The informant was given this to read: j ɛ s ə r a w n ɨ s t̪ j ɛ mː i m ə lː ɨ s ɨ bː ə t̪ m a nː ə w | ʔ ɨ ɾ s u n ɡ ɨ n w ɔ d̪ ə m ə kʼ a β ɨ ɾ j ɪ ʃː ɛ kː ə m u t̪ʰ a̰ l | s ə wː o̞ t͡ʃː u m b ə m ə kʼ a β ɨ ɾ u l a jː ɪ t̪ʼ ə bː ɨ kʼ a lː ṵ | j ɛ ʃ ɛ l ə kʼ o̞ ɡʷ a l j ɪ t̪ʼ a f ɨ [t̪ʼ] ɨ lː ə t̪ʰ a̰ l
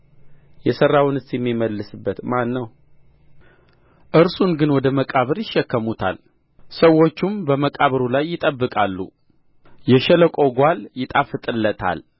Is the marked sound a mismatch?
no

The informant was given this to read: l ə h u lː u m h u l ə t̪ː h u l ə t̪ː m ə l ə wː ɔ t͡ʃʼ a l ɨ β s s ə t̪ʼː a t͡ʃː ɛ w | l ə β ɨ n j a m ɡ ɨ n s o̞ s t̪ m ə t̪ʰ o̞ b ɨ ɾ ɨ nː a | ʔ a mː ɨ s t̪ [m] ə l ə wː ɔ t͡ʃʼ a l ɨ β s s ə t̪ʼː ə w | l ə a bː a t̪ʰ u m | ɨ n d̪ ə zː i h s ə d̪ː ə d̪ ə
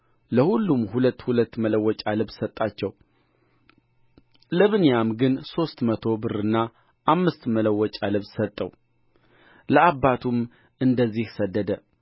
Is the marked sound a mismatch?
no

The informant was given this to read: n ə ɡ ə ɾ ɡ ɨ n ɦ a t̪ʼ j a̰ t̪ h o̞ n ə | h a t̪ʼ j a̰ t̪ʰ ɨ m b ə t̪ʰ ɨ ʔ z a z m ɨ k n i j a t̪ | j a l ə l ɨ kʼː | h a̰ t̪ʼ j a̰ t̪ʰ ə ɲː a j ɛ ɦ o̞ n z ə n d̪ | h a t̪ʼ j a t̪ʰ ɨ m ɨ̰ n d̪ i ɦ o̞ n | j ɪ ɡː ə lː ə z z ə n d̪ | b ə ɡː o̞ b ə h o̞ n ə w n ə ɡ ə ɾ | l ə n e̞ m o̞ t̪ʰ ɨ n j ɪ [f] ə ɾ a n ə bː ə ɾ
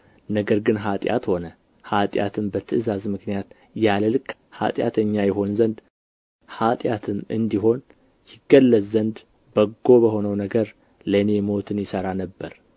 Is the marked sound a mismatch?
yes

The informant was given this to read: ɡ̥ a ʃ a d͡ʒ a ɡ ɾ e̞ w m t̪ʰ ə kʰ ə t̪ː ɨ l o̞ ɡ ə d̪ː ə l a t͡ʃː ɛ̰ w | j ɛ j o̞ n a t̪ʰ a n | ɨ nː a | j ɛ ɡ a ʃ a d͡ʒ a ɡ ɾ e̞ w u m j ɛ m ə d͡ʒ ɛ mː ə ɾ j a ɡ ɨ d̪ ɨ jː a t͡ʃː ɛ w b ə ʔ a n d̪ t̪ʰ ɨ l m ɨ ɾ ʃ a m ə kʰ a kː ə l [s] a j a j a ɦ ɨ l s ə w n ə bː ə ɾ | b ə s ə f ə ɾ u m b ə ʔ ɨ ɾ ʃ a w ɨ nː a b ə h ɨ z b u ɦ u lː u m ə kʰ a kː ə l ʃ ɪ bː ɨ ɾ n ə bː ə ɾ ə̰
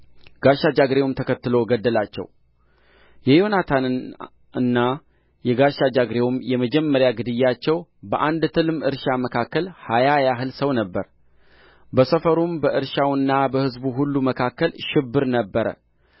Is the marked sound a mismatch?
yes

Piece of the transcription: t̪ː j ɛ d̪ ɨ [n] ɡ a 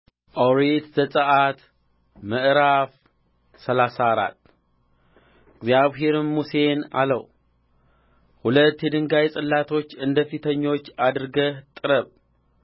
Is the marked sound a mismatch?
yes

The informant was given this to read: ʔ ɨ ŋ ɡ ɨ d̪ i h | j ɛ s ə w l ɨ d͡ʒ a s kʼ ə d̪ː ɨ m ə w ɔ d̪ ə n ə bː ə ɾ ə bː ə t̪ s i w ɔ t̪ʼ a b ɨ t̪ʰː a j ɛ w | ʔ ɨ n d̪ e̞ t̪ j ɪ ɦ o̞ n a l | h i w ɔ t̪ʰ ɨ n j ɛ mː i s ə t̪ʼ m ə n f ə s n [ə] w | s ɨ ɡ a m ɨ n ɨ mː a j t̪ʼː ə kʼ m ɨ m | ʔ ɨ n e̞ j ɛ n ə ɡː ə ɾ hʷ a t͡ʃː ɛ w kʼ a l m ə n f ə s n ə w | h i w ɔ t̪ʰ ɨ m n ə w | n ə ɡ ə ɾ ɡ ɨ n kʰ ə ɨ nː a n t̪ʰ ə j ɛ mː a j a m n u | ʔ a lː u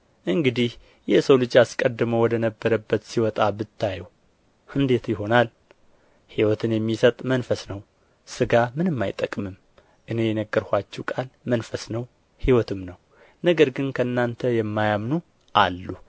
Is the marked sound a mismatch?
no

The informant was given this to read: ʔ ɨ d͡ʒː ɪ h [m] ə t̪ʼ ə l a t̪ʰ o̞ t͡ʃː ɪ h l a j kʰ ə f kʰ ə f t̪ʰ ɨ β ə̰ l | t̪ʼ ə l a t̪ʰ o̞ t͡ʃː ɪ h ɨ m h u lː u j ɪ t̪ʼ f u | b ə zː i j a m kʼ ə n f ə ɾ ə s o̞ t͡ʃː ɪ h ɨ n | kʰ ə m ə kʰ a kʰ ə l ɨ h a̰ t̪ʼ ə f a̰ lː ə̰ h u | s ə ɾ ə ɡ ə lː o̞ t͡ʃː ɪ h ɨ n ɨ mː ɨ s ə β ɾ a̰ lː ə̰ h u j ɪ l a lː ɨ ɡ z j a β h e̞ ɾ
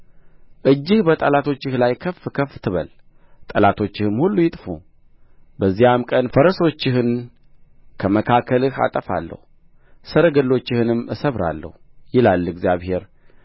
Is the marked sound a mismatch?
yes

